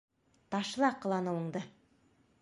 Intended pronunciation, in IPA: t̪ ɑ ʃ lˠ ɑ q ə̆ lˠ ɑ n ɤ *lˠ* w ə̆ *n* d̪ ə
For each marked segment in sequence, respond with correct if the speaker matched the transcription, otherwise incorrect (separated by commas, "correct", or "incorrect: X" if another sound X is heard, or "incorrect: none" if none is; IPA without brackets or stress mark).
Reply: incorrect: none, incorrect: ɴ